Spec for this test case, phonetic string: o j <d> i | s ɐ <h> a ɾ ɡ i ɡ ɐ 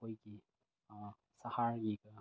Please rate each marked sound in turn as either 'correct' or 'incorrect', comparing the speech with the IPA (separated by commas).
incorrect, correct